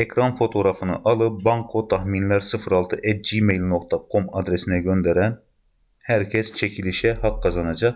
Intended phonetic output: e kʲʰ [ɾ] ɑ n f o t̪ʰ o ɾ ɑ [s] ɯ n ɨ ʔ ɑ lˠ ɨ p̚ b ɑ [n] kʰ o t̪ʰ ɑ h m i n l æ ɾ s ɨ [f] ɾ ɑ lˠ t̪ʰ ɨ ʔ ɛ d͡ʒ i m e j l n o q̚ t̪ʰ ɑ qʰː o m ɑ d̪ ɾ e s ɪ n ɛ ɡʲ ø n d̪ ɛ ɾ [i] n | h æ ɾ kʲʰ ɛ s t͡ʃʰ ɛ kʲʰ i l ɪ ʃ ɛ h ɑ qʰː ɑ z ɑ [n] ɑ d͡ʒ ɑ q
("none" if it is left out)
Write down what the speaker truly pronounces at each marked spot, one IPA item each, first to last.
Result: ɾ, f, ŋ, f, ɛ, n

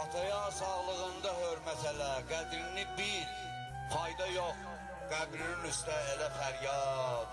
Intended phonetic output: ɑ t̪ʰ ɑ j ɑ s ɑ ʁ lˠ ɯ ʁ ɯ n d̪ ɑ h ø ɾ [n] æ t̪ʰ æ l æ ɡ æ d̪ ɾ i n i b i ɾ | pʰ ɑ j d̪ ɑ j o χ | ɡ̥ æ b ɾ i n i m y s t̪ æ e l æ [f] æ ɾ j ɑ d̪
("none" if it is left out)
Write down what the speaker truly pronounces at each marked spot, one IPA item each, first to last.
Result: m, f

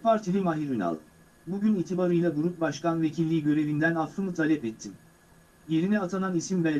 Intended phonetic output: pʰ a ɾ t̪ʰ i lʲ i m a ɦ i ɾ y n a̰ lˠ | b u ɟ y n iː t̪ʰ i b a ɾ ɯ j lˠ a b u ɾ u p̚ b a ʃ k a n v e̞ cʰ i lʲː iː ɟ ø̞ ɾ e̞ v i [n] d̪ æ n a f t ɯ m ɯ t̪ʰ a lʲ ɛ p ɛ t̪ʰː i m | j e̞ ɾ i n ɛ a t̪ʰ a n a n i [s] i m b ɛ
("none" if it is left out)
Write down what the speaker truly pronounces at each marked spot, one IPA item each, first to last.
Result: n, s

